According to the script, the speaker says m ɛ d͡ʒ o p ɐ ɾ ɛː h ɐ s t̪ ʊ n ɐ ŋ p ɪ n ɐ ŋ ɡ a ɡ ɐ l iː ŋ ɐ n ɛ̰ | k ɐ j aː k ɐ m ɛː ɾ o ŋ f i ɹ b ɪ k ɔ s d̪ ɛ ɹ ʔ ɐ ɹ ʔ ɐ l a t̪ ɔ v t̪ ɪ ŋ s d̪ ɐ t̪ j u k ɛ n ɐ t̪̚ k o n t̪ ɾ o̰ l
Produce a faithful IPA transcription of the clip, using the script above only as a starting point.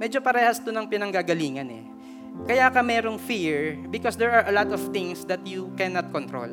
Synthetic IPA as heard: m ɛ d͡ʒ o p ɐ ɾ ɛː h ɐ s t̪ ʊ n ɐ ŋ p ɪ n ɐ ŋ ɡ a ɡ ɐ l iː ŋ ɐ n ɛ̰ | k ɐ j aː k ɐ m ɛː ɾ o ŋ f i ɹ b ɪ k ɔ s d̪ ɛ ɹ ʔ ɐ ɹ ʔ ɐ l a t̪ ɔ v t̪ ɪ ŋ s d̪ ɐ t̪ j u k ɛ n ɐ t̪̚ k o n t̪ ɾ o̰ l